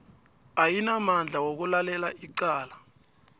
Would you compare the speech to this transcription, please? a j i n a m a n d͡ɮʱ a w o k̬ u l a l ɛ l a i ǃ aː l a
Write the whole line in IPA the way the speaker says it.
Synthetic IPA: a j i n a m a n d͡ɮʱ a w o k̬ u l a l ɛ l a i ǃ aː l a